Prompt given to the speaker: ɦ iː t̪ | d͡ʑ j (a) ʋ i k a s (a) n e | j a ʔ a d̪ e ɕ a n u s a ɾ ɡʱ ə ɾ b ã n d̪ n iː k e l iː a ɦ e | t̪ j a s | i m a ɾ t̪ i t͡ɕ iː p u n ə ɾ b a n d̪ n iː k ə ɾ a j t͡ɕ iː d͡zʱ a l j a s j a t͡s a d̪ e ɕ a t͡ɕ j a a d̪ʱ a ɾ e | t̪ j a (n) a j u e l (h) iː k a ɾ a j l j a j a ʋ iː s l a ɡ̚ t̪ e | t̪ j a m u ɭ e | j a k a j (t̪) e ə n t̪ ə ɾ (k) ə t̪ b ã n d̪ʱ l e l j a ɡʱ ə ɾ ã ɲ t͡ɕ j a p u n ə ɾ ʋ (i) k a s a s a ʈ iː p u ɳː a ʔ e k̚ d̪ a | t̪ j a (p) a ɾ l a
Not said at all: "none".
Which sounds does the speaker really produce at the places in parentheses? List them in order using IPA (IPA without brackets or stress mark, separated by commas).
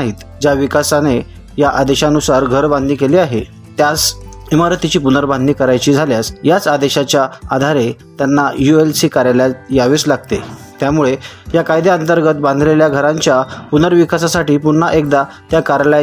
a, a, nː, s, d̪, ɡ, i, k